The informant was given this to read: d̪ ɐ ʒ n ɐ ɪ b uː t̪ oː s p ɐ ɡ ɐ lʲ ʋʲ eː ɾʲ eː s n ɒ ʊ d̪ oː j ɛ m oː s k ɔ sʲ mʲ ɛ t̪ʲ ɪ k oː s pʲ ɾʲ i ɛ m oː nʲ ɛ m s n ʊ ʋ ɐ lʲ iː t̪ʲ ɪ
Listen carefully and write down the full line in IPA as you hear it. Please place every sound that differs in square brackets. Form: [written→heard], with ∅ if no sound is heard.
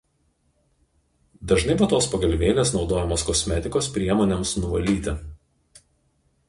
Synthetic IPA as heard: d̪ ɐ ʒ n ɐ ɪ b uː t̪ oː s p ɐ ɡ ɐ lʲ ʋʲ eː [ɾʲ→lʲ] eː s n ɒ ʊ d̪ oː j ɛ m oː s k ɔ sʲ mʲ ɛ t̪ʲ ɪ k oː s pʲ ɾʲ i ɛ m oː nʲ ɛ m s n ʊ ʋ ɐ lʲ iː t̪ʲ ɪ

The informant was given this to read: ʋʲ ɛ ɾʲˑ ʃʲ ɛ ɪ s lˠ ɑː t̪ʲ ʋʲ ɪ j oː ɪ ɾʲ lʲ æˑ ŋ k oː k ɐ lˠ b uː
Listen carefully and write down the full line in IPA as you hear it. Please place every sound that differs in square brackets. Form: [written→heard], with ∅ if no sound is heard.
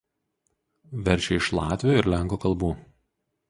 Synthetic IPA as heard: ʋʲ ɛ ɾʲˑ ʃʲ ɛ ɪ [s→ʃ] lˠ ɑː t̪ʲ ʋʲ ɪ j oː ɪ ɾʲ lʲ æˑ ŋ k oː k ɐ lˠ b uː

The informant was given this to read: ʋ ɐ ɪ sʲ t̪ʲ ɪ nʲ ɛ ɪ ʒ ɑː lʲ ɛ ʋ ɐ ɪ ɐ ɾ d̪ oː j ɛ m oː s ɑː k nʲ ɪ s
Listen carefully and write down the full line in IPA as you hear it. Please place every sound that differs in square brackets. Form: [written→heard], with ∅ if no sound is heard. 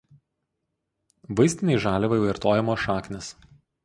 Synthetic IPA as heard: ʋ ɐ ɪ sʲ t̪ʲ ɪ nʲ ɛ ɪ ʒ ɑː lʲ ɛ ʋ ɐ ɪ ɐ ɾ [d̪→t̪] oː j ɛ m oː [s→ʃ] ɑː k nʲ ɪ s

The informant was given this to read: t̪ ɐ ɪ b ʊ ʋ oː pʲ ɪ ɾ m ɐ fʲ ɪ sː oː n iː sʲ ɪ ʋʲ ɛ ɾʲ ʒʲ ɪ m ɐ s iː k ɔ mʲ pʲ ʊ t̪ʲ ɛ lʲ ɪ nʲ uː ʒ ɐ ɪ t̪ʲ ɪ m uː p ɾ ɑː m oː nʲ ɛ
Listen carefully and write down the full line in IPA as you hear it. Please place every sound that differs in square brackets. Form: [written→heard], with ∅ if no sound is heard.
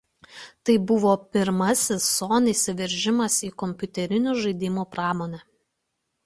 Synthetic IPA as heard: t̪ ɐ ɪ b ʊ ʋ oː pʲ ɪ ɾ m ɐ [fʲ→sʲ] ɪ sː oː n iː sʲ ɪ ʋʲ ɛ ɾʲ ʒʲ ɪ m ɐ s iː k ɔ mʲ pʲ ʊ t̪ʲ ɛ [lʲ→ɾʲ] ɪ nʲ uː ʒ ɐ ɪ [t̪ʲ→d̪ʲ] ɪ m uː p ɾ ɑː m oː nʲ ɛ

